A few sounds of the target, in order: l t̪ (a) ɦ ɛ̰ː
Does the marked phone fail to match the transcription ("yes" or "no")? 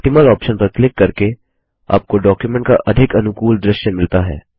no